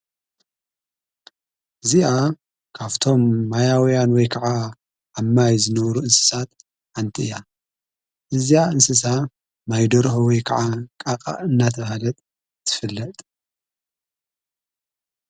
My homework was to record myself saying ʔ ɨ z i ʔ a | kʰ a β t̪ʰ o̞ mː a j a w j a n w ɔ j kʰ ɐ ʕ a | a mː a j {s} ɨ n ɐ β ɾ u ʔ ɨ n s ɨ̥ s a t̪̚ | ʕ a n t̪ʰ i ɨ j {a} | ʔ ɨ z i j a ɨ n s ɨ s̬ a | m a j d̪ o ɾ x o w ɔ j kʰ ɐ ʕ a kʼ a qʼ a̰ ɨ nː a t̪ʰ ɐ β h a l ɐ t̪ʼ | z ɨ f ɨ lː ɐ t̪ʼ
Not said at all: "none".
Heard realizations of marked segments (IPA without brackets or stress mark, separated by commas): z, a